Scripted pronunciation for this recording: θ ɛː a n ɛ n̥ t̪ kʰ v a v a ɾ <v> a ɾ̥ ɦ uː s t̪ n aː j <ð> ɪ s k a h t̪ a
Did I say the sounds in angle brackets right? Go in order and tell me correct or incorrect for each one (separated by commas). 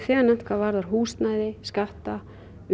incorrect, correct